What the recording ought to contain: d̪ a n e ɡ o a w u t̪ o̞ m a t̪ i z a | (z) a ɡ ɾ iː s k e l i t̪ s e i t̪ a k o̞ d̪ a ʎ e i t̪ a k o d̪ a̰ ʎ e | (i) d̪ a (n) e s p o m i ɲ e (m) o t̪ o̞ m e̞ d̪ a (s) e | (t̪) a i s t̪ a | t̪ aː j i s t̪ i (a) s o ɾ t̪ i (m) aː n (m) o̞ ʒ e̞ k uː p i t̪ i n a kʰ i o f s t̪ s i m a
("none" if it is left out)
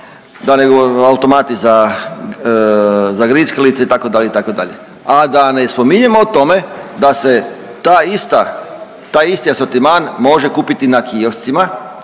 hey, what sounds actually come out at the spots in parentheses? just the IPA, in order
z, a, n, m, s, t̪, a, m, m

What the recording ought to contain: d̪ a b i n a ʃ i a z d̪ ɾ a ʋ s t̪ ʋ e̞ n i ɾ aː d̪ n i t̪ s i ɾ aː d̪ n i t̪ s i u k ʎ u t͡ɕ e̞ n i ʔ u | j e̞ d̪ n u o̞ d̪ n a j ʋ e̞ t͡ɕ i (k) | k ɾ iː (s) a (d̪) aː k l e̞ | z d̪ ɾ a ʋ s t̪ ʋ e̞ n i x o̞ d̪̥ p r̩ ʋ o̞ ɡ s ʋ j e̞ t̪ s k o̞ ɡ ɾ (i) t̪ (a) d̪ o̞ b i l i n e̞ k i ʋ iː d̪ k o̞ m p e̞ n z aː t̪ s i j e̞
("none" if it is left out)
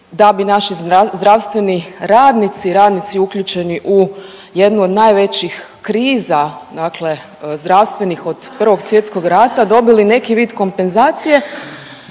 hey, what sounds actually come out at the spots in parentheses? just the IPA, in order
x, z, d̪, a, a

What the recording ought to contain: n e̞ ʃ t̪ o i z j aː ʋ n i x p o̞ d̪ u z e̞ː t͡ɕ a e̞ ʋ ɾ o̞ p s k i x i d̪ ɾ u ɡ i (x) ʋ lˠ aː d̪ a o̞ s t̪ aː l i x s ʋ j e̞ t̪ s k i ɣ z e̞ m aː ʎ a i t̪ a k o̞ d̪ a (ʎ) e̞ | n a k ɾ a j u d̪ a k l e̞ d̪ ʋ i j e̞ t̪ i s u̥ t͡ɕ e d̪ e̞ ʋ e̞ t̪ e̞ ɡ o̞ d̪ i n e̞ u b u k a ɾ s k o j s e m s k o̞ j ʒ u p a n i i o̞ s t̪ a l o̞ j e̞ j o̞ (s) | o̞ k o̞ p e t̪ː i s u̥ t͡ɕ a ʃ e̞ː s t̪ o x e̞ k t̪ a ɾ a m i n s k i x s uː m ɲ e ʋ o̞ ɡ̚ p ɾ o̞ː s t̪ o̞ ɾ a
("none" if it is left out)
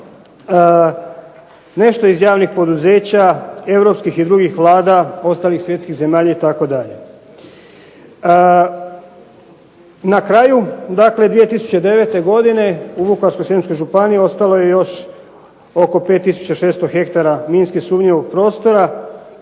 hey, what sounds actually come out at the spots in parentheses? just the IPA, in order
x, ʎ, ʃ

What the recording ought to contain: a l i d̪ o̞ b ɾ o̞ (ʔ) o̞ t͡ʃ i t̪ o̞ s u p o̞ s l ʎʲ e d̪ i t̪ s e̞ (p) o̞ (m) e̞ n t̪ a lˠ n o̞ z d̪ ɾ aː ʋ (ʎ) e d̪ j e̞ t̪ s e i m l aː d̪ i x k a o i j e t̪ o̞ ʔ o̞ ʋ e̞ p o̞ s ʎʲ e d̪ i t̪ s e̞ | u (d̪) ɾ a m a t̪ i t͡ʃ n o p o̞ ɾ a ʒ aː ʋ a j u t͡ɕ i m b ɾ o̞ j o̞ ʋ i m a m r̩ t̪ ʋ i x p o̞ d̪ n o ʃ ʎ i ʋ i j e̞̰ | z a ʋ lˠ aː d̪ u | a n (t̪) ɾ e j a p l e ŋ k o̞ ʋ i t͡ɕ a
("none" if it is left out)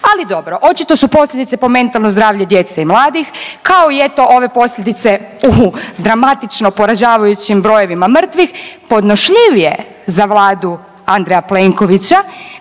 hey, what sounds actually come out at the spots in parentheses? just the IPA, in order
ʔ, p, m, ʎ, d̪, d̪

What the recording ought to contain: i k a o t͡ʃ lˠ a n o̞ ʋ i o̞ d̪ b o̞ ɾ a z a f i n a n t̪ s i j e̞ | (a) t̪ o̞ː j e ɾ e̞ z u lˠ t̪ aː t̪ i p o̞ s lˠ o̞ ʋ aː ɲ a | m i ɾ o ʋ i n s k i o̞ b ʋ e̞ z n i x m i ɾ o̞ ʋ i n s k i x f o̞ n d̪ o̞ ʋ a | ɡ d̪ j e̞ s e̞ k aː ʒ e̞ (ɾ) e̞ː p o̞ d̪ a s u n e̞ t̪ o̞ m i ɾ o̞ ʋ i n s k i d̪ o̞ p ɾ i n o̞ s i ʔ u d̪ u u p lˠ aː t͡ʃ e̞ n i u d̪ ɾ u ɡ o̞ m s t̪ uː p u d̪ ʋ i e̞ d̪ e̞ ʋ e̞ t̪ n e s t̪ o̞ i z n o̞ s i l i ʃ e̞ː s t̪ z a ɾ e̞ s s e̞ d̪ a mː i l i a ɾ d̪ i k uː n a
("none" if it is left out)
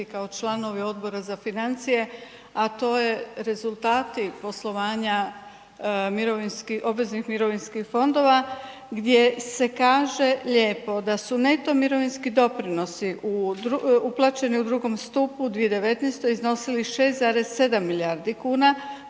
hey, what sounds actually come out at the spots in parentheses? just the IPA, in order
a, ʎ

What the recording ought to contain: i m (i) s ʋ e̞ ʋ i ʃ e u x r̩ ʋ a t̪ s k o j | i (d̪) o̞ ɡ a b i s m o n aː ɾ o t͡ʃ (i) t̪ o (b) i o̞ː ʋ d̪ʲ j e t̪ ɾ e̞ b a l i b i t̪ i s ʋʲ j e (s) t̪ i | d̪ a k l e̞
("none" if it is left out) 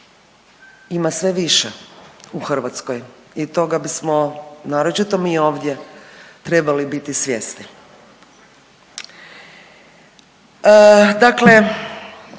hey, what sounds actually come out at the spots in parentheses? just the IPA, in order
a, t̪, i, m, s

